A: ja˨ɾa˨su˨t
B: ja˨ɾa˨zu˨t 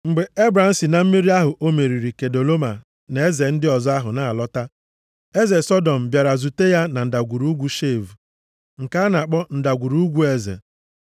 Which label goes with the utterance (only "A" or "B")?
B